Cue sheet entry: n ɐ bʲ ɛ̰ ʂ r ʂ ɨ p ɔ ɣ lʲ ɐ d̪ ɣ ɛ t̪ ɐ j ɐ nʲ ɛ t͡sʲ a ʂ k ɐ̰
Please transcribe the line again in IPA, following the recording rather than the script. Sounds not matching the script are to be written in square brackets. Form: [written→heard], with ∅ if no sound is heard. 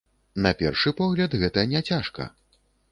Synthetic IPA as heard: n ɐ [bʲ→pʲ] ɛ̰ [ʂ→∅] r ʂ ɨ p ɔ ɣ lʲ ɐ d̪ ɣ ɛ t̪ ɐ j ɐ nʲ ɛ t͡sʲ a ʂ k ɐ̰